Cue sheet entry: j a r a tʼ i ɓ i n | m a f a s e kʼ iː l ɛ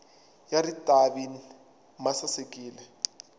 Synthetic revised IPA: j a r i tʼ a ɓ i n | m a s a s e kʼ iː l ɛ